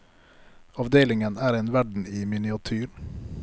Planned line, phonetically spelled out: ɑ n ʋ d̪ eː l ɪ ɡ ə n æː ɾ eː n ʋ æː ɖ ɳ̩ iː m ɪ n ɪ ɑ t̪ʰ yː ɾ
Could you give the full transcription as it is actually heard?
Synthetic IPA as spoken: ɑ ʋ d̪ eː l ɪ ŋ ə n æː ɾ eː n ʋ æ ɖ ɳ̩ iː m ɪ n ɪ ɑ t̪ʰ yː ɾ